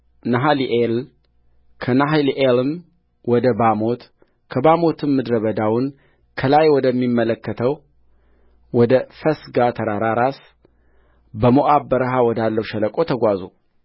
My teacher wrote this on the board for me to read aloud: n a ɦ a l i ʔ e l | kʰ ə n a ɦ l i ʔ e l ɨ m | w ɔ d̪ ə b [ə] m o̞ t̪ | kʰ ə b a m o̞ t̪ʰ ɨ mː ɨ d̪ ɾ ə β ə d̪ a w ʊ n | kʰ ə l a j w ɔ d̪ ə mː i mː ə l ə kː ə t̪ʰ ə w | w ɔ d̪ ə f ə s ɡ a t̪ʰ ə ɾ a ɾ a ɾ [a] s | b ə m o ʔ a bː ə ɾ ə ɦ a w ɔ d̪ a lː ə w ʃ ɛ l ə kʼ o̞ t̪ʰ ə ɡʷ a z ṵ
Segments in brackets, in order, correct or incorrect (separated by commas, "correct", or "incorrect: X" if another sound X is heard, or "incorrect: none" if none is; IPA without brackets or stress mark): incorrect: a, correct